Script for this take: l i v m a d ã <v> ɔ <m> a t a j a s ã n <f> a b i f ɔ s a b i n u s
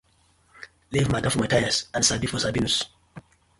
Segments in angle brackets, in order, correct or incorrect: incorrect: f, correct, incorrect: s

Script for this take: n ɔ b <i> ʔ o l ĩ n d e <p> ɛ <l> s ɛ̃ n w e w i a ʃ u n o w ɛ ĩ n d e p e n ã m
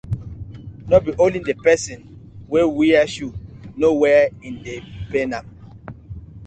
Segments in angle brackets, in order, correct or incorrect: correct, correct, incorrect: none

